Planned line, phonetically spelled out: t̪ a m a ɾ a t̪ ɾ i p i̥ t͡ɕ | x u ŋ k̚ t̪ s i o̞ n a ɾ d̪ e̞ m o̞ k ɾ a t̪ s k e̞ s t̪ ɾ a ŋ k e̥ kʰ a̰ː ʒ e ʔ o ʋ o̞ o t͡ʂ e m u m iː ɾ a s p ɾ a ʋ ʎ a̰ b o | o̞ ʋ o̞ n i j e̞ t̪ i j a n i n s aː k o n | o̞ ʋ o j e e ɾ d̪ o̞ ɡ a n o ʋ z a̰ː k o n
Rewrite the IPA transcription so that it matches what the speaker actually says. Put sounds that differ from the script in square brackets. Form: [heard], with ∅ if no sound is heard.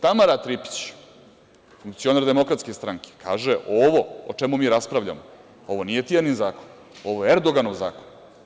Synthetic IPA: t̪ a m a ɾ a t̪ ɾ i p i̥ t͡ɕ | [f] u ŋ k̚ t̪ s i o̞ n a ɾ d̪ e̞ m o̞ k ɾ a t̪ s k e̞ s t̪ ɾ a ŋ k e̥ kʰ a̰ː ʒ e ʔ o ʋ o̞ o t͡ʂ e m u m iː ɾ a s p ɾ a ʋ ʎ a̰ [m] o | o̞ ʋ o̞ n i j e̞ t̪ i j a n i n [z] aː k o n | o̞ ʋ o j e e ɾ d̪ o̞ ɡ a n o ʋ z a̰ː k o n